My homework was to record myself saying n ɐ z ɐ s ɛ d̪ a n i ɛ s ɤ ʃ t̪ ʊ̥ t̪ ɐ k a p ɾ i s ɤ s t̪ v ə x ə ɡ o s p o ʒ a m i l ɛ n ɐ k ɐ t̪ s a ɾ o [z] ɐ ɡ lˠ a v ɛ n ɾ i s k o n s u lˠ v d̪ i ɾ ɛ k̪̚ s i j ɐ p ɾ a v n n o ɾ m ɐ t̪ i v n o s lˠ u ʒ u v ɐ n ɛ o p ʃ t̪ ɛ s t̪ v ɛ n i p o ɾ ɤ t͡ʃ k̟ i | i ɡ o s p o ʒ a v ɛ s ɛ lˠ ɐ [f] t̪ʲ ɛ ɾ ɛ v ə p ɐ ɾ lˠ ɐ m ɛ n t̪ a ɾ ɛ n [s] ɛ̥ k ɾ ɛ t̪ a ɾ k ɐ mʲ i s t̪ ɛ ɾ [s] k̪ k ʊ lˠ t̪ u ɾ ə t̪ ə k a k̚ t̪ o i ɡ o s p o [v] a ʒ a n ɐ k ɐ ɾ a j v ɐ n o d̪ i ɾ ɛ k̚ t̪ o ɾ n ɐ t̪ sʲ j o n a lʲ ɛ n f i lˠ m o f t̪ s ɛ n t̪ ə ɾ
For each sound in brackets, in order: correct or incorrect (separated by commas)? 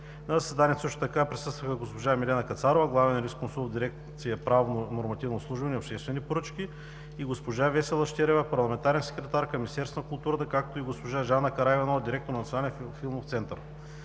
incorrect, incorrect, correct, correct, incorrect